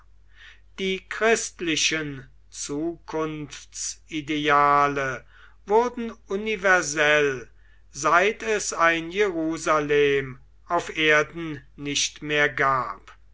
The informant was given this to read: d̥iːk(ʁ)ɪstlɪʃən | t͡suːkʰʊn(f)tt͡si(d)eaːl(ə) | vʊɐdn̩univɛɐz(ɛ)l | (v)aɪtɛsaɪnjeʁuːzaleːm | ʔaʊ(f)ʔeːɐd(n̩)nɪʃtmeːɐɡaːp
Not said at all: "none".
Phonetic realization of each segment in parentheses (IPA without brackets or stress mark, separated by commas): ʁ, f, d, ə, ɛ, z, f, n̩